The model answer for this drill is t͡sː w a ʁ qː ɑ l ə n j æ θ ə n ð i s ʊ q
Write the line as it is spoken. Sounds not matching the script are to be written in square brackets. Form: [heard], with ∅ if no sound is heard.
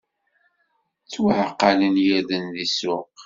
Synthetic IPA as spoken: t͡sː w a [ʕ] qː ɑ l ə n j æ [ð] ə n ð i s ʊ q